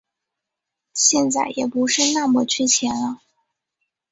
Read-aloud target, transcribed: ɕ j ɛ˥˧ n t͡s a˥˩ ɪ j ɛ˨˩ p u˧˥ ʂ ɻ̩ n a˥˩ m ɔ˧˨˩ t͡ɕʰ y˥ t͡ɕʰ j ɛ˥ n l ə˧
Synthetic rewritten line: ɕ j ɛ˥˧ n t͡s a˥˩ ɪ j ɛ˨˩ p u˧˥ ʂ ɻ̩ n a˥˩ m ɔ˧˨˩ t͡ɕʰ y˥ t͡ɕʰ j ɛ˧˥ n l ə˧